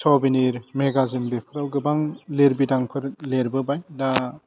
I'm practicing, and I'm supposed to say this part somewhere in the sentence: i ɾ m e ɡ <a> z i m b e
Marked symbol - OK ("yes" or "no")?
yes